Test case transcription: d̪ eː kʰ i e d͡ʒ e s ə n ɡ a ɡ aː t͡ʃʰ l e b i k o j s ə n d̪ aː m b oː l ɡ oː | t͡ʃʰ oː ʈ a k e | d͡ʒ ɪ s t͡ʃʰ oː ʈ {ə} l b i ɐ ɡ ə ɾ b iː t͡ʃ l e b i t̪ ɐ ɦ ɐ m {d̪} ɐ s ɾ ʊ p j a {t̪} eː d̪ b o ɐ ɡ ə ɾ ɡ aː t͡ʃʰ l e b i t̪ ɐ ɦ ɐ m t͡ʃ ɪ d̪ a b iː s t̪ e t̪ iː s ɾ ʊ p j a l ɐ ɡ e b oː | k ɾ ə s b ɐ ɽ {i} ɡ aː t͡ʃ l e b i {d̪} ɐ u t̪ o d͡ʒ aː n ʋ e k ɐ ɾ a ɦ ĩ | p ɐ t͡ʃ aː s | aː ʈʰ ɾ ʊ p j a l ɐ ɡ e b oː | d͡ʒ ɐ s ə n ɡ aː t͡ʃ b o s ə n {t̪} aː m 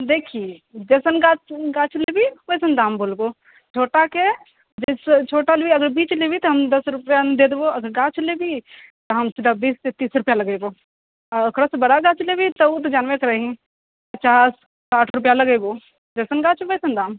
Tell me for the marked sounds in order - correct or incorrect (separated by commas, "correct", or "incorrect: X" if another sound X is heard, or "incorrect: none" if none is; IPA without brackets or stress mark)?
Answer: incorrect: a, correct, incorrect: d̪, incorrect: a, incorrect: t̪, incorrect: d̪